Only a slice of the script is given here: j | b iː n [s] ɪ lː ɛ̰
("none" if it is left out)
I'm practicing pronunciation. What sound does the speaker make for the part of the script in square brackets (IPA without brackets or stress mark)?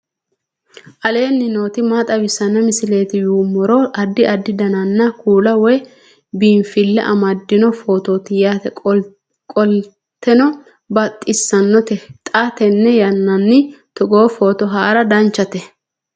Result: f